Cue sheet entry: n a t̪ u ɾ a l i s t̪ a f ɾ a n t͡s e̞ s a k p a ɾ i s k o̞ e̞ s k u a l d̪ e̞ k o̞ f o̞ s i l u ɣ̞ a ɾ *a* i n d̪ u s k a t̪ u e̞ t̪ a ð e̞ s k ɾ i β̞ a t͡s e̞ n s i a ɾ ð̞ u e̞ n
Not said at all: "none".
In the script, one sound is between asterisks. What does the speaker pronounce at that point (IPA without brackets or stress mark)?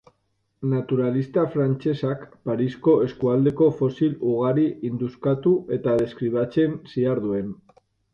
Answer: i